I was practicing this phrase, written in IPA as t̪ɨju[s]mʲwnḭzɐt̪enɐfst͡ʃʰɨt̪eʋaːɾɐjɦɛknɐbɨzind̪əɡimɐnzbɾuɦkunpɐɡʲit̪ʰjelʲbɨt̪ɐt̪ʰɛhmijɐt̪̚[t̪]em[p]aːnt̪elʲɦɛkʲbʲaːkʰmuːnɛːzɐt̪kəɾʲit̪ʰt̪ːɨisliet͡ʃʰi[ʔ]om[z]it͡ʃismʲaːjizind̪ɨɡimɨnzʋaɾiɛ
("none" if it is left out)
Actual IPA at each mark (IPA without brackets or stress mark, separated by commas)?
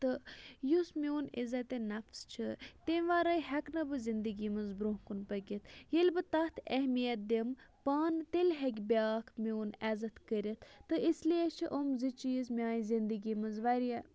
s, d̪, p, ʔ, z